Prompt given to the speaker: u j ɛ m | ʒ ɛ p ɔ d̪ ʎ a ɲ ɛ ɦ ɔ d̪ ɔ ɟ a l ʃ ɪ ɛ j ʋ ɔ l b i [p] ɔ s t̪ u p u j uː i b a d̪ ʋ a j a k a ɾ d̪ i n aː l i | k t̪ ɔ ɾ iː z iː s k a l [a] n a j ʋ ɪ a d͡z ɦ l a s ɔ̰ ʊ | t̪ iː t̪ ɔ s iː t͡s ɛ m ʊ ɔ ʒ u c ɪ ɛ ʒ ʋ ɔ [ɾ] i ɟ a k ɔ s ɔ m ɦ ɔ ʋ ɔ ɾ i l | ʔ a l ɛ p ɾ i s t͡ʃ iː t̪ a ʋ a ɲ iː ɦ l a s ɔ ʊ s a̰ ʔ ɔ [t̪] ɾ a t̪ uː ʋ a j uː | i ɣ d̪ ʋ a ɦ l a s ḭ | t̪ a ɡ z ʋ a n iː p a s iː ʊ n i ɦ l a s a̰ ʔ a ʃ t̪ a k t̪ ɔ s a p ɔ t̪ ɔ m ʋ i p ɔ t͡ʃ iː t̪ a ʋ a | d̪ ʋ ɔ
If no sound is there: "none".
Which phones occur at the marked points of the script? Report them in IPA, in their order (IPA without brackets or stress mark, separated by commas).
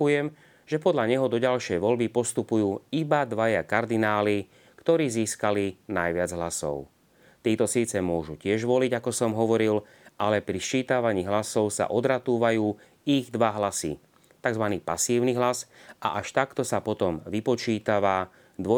p, i, l, d̪